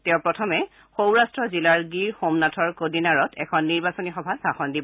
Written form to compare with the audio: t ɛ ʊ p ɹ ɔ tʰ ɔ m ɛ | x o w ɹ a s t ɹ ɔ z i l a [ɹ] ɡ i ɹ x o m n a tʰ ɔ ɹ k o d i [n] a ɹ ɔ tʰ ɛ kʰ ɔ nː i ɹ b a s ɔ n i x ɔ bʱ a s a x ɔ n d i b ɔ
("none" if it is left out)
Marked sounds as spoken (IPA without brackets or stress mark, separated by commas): ɹ, n